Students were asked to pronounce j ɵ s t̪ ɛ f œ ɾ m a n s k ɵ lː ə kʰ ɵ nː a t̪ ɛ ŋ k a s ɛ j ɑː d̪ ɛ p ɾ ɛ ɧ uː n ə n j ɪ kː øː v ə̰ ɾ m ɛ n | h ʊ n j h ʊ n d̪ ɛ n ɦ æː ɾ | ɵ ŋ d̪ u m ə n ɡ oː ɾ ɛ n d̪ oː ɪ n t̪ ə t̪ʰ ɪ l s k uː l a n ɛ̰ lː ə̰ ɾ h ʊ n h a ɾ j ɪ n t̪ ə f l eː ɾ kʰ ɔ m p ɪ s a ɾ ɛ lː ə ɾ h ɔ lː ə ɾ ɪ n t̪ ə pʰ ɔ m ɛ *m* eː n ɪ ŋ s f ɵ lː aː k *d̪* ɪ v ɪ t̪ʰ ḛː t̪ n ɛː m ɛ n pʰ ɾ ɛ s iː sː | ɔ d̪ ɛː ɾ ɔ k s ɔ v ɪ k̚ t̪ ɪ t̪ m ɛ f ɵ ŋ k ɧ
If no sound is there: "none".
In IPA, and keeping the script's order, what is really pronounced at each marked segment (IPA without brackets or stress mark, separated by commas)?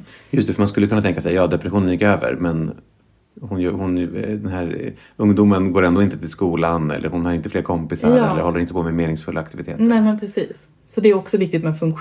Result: m, t̪